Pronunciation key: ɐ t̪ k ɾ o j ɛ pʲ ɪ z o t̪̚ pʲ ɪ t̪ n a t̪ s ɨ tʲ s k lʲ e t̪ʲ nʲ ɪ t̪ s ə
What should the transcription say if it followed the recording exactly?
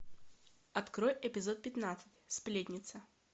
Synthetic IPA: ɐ t̪ k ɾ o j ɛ pʲ ɪ z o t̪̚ pʲ ɪ t̪ n a t̪ s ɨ tʲ s p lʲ e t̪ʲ nʲ ɪ t̪ s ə

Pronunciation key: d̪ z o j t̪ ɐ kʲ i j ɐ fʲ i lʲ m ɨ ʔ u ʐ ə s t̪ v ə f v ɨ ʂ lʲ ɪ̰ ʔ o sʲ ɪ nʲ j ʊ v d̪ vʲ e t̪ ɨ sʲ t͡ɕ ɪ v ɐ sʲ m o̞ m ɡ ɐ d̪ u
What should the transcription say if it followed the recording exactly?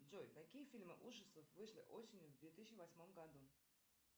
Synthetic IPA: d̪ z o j t̪ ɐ kʲ i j ə fʲ i lʲ m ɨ ʔ u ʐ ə s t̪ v ə f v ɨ ʂ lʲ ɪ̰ ʔ o sʲ ɪ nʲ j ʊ v d̪ vʲ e t̪ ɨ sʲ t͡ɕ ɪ v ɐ sʲ m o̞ m ɡ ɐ d̪ u

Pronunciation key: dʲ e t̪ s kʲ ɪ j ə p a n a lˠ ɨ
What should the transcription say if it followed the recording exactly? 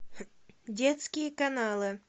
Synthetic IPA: dʲ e t̪ s kʲ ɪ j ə k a n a lˠ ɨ

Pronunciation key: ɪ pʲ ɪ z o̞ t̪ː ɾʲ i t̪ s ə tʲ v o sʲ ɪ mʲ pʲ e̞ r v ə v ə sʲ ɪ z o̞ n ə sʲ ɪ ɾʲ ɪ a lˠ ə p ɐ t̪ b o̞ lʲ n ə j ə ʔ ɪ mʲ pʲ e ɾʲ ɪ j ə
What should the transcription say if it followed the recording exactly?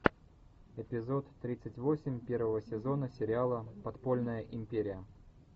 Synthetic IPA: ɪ pʲ ɪ z o̞ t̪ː ɾʲ i t̪ s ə tʲ v o sʲ ɪ mʲ pʲ e̞ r v ə v ə sʲ ɪ z o̞ n ə sʲ ɪ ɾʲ ɪ a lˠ ə p ɐ t̪ p o̞ lʲ n ə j ə ʔ ɪ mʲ pʲ e ɾʲ ɪ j ə

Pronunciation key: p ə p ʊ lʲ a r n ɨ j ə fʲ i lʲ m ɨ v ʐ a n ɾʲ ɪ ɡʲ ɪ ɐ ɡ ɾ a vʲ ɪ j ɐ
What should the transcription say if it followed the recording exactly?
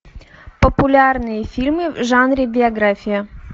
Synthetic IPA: p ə p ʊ lʲ a r n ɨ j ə fʲ i lʲ m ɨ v ʐ a n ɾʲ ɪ bʲ ɪ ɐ ɡ ɾ a fʲ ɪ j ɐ

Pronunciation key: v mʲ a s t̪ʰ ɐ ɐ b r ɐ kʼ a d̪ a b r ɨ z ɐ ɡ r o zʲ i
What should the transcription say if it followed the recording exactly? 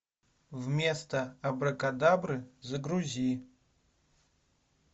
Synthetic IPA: v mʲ e s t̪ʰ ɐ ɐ b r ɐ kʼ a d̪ a b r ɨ z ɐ ɡ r u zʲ i

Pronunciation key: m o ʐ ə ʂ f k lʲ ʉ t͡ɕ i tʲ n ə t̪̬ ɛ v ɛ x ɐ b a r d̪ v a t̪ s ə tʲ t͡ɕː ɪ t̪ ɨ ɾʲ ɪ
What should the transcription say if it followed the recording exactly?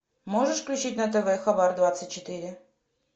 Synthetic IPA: m o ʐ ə ʂ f k lʲ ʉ t͡ɕ i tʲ n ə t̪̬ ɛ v ɛ x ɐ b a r d̪ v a t̪ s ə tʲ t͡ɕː ɪ t̪ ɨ ɾʲ ɪ

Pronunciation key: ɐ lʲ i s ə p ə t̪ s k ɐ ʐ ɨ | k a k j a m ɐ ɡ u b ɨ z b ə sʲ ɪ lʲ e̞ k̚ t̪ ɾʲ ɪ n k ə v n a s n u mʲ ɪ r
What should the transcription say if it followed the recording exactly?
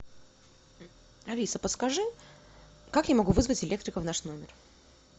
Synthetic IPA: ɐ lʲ i s ə p ə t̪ s k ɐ ʐ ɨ | k a k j a m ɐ ɡ u v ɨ z v ə tʲ ɪ lʲ e̞ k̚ t̪ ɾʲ ɪ k ə v n a ʂ n o mʲ ɪ r

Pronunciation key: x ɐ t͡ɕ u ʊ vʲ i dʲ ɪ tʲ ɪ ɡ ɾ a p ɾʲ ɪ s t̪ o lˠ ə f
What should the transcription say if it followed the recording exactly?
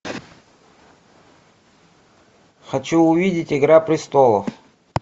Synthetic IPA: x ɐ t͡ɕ u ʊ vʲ i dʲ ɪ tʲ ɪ ɡ ɾ a p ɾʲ ɪ s t̪ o lˠ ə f

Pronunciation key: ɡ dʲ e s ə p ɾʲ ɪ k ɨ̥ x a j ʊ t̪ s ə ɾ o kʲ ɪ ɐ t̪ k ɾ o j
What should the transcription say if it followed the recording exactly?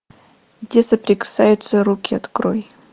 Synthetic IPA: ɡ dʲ e s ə p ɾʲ ɪ k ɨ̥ s a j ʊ t̪ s ə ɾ u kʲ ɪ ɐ t̪ k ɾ o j

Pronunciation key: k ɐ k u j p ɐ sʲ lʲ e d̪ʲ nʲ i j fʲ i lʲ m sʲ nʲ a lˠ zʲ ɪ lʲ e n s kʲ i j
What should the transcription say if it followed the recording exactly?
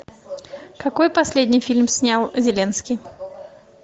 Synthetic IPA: k ɐ k o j p ɐ sʲ lʲ e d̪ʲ nʲ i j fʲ i lʲ m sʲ nʲ a lˠ zʲ ɪ lʲ e n s kʲ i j

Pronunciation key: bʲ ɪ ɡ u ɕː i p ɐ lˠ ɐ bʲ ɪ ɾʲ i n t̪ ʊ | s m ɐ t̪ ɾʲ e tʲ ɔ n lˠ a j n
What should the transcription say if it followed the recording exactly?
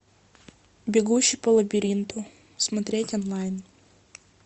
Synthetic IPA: bʲ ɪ ɡ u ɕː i p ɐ lˠ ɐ bʲ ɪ ɾʲ i n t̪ ʊ | s m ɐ t̪ ɾʲ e tʲ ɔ n lˠ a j n

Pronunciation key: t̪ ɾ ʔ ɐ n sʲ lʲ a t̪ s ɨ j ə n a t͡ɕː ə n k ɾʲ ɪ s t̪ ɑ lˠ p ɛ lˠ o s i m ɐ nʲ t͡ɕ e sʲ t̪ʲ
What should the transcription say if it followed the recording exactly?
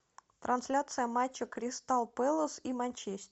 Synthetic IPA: t̪ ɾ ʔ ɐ n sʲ lʲ a t̪ s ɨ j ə m a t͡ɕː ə k ɾʲ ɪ s t̪ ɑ lˠ p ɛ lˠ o s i m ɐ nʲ t͡ɕ e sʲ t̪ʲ

